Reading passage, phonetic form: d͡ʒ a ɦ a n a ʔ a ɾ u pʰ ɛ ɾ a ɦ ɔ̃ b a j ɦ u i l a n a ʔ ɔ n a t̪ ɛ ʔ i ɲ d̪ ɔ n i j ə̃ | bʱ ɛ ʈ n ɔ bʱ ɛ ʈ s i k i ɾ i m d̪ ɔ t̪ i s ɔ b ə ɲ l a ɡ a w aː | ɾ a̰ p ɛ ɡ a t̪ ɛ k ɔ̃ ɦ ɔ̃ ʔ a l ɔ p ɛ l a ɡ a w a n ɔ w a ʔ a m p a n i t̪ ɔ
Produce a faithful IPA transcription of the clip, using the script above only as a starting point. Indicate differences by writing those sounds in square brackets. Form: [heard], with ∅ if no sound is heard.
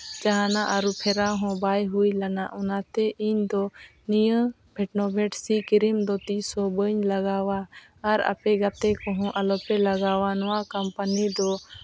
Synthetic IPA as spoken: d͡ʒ a ɦ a n a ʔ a ɾ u pʰ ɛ ɾ a ɦ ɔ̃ b a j ɦ u [j] l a n a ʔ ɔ n a t̪ ɛ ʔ i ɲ d̪ ɔ n i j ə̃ | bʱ ɛ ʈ n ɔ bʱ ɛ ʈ s i k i ɾ i m d̪ ɔ t̪ i s ɔ b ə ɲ l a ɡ a w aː | ɾ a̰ p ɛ ɡ a t̪ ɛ k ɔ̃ ɦ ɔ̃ ʔ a l ɔ p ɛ l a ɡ a w a n ɔ w a [k] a m p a n i [d̪] ɔ